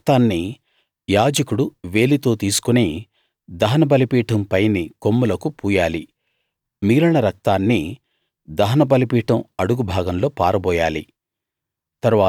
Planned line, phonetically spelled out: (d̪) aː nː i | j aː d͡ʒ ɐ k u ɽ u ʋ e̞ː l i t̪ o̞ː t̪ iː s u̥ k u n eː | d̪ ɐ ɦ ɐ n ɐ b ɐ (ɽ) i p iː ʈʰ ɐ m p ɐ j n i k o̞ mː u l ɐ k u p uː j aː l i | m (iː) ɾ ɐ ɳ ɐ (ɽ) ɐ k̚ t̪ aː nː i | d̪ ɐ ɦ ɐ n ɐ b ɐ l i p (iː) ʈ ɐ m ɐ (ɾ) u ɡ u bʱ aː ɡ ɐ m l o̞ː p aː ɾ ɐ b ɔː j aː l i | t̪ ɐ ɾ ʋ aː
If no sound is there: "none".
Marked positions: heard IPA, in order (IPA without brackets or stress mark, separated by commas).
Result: t̪, l, iː, ɾ, iː, ɽ